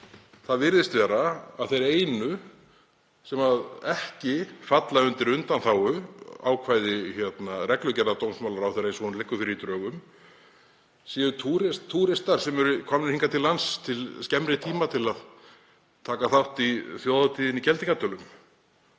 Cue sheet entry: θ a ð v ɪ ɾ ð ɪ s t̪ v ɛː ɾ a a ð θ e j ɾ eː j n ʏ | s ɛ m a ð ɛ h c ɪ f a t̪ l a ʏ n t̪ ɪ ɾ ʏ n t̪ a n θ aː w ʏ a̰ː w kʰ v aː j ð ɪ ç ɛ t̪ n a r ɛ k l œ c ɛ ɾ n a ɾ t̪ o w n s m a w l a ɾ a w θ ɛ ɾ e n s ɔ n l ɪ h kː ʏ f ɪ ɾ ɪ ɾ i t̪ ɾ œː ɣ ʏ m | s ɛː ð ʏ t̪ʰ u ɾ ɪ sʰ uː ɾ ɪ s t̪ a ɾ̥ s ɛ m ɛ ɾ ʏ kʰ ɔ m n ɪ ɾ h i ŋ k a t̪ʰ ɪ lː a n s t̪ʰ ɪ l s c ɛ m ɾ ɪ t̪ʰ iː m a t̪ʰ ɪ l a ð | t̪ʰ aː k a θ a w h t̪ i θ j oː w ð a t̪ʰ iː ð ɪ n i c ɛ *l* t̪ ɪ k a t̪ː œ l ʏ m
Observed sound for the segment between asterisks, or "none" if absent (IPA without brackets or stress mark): l